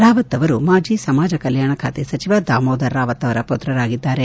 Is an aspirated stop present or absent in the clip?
present